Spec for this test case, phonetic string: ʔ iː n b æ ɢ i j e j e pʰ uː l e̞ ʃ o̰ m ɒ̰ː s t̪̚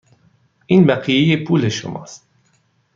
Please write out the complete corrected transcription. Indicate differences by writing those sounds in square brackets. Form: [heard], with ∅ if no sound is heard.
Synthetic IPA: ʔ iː n b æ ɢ i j e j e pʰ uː l e̞ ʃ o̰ m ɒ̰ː s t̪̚